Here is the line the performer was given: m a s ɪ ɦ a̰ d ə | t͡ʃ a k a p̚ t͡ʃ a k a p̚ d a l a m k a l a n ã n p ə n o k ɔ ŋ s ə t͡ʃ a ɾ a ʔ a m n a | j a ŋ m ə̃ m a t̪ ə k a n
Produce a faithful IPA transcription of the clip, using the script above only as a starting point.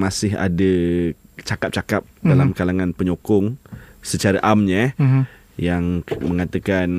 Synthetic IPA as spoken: m a s ɪ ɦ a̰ d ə | t͡ʃ a k a p̚ t͡ʃ a k a p̚ d a l a m k a l a ŋ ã n p ə ɲ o k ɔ ŋ s ə t͡ʃ a ɾ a ʔ a m ɲ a | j a ŋ m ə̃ ŋ a t̪ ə k a n